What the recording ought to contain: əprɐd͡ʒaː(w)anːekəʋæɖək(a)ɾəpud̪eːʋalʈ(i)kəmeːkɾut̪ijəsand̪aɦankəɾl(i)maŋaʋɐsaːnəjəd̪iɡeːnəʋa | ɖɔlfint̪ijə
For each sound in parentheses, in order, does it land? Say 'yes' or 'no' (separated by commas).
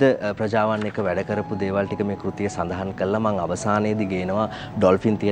no, no, yes, no